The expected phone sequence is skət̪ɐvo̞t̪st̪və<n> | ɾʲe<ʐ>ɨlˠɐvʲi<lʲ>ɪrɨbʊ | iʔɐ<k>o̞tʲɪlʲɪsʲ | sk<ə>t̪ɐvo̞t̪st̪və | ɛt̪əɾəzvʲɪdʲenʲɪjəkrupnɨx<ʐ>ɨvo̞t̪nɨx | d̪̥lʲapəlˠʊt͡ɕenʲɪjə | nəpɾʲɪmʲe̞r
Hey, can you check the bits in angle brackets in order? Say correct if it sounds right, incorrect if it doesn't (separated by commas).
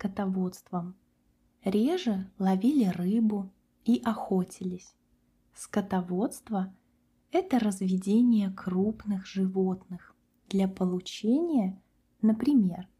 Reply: incorrect, correct, correct, incorrect, correct, correct